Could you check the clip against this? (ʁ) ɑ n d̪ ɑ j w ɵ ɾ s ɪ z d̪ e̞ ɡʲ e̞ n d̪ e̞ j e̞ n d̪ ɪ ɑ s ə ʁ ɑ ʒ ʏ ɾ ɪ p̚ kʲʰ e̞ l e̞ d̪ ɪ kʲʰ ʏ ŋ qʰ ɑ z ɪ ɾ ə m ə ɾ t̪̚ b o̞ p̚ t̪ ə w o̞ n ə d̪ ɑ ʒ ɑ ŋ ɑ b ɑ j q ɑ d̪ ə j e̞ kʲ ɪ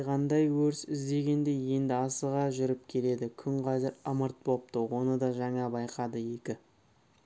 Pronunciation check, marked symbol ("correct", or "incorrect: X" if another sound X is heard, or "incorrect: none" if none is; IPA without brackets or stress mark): correct